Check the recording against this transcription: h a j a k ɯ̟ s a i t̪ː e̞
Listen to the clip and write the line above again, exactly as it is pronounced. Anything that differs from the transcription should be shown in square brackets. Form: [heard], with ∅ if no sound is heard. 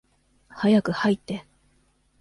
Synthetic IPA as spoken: h a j a k ɯ̟ [h] a i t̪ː e̞